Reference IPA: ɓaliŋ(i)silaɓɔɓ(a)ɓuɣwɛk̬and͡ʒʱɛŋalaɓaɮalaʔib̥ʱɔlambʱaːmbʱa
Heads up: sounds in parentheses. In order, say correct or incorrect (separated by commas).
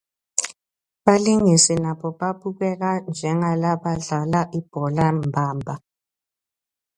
correct, correct